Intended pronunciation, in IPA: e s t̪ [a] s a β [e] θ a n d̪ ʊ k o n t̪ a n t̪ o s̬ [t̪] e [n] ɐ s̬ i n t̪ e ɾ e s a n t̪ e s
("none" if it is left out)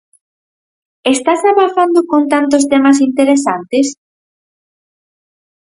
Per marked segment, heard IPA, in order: a, a, t̪, m

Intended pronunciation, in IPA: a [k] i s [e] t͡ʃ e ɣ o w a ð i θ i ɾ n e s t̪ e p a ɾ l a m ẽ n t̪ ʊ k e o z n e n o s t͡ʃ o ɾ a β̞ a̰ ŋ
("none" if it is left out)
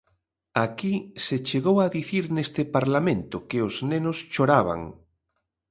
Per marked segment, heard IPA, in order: k, e

